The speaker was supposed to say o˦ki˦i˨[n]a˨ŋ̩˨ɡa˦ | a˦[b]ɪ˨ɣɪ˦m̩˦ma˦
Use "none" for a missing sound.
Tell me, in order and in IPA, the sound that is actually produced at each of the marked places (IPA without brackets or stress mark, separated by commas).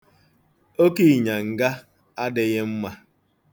ɲ, d